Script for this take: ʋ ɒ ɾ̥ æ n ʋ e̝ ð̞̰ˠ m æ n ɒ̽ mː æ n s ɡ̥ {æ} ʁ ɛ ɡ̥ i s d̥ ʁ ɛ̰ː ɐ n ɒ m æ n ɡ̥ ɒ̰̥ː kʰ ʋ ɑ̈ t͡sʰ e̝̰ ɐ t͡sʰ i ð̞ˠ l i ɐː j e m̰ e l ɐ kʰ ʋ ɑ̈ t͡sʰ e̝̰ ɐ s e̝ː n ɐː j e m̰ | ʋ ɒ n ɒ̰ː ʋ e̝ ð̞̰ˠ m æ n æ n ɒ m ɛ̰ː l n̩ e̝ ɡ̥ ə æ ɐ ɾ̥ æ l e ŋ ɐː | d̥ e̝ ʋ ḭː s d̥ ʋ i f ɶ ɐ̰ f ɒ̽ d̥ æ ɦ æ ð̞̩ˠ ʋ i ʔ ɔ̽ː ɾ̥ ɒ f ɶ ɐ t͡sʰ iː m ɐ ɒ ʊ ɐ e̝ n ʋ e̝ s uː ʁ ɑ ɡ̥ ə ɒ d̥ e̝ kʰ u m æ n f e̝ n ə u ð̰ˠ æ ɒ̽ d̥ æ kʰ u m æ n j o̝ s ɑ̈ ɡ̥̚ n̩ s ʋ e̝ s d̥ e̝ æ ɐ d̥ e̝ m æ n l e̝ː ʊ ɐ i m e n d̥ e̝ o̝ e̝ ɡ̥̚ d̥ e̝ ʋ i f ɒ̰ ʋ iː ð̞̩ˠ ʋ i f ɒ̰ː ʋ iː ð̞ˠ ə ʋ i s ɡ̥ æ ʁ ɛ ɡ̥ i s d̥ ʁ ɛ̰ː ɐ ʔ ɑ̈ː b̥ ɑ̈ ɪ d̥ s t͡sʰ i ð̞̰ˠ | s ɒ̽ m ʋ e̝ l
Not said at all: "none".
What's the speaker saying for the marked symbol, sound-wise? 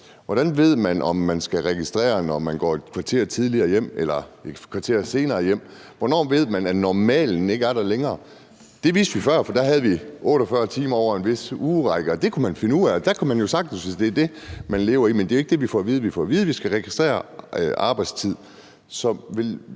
æ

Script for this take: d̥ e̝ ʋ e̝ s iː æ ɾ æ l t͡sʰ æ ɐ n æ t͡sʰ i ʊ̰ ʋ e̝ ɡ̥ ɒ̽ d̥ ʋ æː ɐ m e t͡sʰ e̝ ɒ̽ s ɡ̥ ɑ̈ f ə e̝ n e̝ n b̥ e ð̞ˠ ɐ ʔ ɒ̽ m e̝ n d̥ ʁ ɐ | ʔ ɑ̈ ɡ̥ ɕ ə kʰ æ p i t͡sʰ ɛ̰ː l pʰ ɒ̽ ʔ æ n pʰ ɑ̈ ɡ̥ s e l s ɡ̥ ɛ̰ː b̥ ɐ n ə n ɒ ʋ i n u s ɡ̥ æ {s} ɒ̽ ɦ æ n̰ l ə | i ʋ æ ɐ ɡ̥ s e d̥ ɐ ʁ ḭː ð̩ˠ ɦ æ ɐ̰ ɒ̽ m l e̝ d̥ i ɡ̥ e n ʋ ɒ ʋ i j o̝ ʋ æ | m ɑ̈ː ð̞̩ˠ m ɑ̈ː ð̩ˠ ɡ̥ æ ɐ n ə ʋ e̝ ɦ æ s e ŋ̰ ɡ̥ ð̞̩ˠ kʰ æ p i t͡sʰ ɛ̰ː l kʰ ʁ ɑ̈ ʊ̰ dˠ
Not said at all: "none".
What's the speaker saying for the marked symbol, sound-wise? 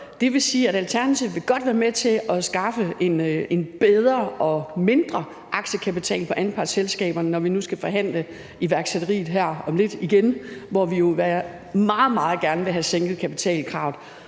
f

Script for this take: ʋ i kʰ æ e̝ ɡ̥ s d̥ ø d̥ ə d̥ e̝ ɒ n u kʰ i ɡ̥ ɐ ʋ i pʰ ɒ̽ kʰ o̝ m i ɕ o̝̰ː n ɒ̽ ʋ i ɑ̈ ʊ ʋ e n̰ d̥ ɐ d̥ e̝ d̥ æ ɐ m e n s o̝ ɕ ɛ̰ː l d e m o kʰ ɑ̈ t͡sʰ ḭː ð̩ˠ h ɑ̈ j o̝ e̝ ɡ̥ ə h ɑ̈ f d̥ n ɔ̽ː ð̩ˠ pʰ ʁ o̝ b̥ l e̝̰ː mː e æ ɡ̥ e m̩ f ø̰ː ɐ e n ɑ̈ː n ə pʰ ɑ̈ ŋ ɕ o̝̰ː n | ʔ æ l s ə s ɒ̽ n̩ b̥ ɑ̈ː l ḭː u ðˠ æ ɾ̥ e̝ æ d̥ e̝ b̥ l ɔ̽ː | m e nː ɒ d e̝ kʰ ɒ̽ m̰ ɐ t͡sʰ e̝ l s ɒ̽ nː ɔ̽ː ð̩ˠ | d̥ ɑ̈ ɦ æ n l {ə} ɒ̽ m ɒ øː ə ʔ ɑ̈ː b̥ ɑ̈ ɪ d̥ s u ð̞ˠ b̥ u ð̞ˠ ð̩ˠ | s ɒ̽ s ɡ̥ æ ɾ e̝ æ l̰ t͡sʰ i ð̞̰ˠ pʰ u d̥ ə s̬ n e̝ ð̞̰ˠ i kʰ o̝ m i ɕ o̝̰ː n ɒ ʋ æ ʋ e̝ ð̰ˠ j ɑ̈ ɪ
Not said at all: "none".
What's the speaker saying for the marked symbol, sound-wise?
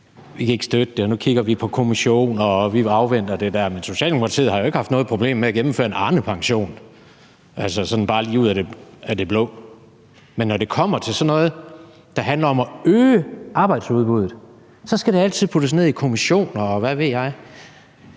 ɐ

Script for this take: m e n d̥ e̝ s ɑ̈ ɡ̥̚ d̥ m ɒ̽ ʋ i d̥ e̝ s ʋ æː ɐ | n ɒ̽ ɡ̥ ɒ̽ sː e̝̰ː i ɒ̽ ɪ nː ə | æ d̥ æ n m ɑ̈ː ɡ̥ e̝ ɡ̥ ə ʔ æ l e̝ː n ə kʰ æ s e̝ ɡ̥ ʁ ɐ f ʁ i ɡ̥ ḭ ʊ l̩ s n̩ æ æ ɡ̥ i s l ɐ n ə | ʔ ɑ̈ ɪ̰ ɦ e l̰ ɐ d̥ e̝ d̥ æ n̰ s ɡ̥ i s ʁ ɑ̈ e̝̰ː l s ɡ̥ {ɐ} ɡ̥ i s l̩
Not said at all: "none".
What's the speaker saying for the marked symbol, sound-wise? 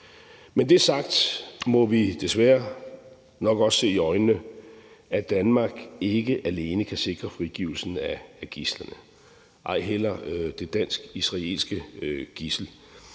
ə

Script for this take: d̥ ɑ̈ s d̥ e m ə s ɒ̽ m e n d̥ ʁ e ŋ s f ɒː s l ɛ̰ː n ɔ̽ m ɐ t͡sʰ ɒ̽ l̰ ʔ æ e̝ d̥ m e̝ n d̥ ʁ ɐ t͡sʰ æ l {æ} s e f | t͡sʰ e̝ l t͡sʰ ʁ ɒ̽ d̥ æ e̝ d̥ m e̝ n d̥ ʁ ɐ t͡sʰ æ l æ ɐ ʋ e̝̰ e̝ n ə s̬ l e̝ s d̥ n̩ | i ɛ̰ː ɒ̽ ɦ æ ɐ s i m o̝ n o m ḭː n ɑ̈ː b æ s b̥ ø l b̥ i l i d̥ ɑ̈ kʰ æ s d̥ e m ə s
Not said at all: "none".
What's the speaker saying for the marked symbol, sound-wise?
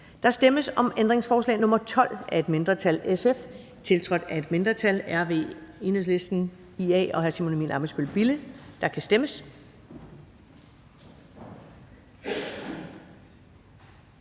e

